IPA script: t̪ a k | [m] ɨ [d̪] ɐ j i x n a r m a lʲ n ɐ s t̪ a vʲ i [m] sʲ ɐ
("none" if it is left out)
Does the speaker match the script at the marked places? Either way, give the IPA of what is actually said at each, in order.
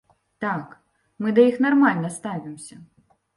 m, d̪, m

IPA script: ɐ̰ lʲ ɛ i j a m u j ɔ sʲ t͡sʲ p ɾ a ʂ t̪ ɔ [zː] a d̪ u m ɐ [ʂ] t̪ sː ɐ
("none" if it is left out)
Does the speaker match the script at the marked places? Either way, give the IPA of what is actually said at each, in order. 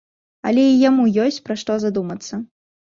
z, none

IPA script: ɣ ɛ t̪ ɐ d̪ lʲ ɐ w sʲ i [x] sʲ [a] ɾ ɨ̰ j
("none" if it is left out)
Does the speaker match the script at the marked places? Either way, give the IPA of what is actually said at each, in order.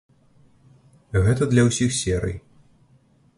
x, ɛ

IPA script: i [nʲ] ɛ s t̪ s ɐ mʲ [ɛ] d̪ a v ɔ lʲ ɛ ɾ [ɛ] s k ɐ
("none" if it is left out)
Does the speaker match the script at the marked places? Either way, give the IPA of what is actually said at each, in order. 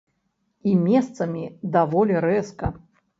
mʲ, i, ɛ

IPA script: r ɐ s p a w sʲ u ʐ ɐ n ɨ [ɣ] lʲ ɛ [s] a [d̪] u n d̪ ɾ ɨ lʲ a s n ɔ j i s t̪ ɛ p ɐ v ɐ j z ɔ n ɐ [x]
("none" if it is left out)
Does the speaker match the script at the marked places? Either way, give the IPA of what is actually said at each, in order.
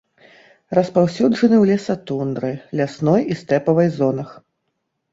w, s, t̪, x

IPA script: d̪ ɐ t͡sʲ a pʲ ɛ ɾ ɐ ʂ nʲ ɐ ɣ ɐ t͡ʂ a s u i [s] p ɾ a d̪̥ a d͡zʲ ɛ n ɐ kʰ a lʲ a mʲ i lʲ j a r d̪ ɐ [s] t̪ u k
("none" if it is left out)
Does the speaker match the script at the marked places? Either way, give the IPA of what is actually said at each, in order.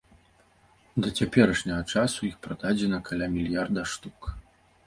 x, ʂ

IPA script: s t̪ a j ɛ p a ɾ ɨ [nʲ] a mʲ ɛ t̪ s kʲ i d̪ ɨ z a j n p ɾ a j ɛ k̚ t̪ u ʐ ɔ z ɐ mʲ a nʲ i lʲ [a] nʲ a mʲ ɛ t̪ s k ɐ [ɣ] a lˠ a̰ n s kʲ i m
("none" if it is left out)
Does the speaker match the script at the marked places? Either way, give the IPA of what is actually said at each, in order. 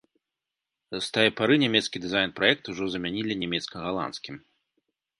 nʲ, i, ɣ

